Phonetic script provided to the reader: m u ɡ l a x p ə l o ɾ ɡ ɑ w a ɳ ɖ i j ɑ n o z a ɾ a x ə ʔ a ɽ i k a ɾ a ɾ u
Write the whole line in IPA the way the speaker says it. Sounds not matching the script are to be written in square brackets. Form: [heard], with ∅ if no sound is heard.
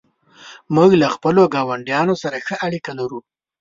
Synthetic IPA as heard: m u ɡ l a x p ə l o [∅] ɡ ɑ w a ɳ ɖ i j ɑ n o [s] a ɾ a x ə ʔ a ɽ i k a [l] a ɾ u